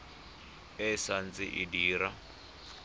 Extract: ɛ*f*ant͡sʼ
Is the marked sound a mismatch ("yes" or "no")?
yes